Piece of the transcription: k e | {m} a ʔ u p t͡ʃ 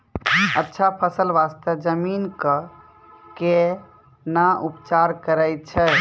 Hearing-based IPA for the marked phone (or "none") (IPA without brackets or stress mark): n